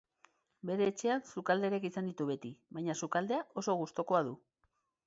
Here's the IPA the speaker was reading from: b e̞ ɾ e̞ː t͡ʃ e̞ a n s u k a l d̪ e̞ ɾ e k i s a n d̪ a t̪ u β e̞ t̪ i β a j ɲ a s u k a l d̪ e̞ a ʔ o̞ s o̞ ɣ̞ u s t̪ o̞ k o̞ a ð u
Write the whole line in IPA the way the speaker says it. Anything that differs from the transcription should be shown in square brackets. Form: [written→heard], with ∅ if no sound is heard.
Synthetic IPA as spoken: b e̞ ɾ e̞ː t͡ʃ e̞ a n s u k a l d̪ e̞ ɾ e k i s a n d̪ [a→i] t̪ u β e̞ t̪ i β a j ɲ a s u k a l d̪ e̞ a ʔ o̞ s o̞ ɣ̞ u s t̪ o̞ k o̞ a ð u